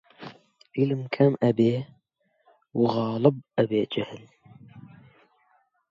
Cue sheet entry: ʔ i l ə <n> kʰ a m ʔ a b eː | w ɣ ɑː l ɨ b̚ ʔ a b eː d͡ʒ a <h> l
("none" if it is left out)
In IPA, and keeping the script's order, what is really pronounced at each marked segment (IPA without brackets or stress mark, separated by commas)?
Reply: m, h